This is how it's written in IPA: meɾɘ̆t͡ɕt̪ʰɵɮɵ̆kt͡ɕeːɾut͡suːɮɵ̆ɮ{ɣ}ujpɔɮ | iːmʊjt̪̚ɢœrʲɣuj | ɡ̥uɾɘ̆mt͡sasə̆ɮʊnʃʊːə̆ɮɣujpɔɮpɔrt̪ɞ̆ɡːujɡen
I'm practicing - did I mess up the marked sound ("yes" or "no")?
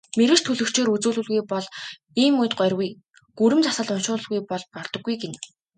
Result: no